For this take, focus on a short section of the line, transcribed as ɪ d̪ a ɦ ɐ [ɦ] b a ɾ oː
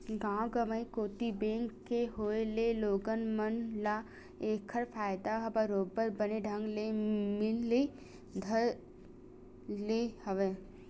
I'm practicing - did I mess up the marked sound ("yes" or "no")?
yes